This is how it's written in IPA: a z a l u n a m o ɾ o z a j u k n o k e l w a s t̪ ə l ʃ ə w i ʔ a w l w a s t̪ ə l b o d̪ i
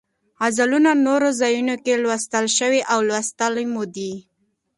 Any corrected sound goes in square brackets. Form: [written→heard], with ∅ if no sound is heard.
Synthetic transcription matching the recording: a z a l u n a [m→n] o ɾ o z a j u [k→∅] n o k e l w a s t̪ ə l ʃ ə w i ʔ a w l w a s t̪ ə l [b→m] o d̪ i